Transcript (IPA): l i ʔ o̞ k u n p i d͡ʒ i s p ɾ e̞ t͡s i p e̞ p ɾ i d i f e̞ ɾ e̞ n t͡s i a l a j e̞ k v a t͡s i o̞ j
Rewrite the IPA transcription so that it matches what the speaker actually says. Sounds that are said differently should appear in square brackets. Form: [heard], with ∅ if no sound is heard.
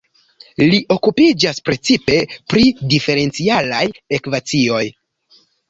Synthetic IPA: l i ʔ o̞ k u [∅] p i d͡ʒ [a] s p ɾ e̞ t͡s i p e̞ p ɾ i d i f e̞ ɾ e̞ n t͡s i a l a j e̞ k v a t͡s i o̞ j